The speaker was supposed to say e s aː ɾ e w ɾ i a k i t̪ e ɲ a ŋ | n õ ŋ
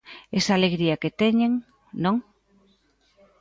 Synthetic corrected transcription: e s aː l e ɣ ɾ i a k e t̪ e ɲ e ŋ | n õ ŋ